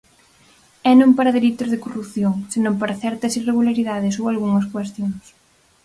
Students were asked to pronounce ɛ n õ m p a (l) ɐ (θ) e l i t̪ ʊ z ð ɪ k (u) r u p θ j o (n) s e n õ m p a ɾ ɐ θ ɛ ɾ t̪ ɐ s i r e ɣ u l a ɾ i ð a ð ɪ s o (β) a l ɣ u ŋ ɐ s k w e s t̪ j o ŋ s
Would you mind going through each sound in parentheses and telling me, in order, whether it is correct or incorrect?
incorrect, incorrect, incorrect, incorrect, incorrect

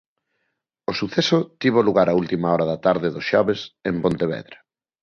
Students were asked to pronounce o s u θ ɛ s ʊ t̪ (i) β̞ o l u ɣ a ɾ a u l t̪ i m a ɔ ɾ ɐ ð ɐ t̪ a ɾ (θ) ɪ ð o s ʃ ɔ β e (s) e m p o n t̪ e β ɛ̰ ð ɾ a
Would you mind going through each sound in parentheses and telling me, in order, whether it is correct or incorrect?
correct, incorrect, correct

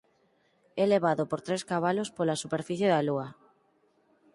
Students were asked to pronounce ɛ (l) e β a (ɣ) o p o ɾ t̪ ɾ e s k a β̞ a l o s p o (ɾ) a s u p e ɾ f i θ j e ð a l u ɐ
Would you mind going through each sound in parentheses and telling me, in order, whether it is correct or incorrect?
correct, incorrect, incorrect

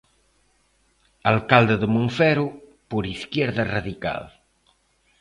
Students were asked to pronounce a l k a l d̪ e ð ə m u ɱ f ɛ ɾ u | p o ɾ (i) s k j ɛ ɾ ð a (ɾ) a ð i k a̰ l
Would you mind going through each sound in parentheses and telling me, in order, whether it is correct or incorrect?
correct, incorrect

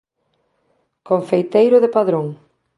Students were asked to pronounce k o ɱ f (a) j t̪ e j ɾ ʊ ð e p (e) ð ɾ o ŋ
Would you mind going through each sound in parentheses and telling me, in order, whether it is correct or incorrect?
incorrect, incorrect

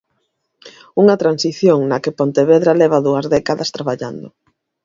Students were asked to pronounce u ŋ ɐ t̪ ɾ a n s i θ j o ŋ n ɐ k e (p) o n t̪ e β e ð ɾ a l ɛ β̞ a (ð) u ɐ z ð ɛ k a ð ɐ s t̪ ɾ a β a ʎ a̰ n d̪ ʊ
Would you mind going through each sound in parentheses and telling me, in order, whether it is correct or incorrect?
correct, correct

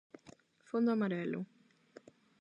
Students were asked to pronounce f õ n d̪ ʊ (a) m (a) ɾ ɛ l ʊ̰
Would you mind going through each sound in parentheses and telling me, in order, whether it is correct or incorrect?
correct, correct

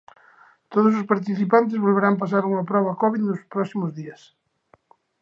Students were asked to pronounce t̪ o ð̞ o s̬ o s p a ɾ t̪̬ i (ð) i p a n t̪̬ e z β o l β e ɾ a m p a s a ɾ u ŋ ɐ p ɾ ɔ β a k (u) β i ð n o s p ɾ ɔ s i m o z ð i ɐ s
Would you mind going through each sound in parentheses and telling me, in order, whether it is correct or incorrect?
incorrect, incorrect

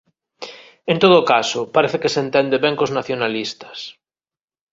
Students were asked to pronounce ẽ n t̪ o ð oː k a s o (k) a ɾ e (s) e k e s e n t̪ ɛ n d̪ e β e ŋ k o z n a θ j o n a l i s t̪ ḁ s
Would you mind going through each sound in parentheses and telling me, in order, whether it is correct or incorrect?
incorrect, incorrect

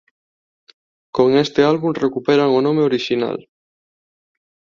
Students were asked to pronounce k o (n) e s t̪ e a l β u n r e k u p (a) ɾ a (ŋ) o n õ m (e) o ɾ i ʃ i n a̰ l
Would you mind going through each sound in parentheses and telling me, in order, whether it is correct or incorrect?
incorrect, incorrect, correct, correct

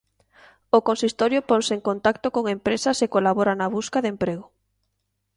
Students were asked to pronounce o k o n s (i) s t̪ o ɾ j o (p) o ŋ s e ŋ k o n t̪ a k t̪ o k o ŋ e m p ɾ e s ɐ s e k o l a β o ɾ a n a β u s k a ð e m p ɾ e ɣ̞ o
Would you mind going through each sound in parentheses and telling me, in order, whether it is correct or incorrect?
correct, correct

